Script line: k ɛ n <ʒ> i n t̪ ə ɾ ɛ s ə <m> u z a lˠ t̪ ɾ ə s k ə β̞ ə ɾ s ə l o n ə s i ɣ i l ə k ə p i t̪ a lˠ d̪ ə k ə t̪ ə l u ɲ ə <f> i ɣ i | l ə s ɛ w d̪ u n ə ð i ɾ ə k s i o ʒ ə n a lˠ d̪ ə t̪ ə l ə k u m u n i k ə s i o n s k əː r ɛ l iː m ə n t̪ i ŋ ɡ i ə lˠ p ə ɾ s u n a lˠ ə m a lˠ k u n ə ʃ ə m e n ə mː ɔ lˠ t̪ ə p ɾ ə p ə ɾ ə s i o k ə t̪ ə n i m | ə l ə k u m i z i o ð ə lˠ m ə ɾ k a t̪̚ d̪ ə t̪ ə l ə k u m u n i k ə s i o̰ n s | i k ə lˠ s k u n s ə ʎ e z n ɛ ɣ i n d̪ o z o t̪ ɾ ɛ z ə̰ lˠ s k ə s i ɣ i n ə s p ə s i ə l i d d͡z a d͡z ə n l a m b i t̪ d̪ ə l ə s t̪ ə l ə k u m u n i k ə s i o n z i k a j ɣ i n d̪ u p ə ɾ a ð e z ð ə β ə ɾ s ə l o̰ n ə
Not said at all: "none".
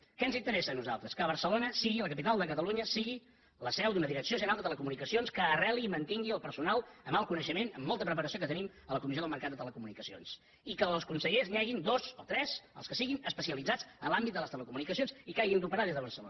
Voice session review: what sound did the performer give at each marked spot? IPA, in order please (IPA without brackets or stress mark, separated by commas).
z, n, s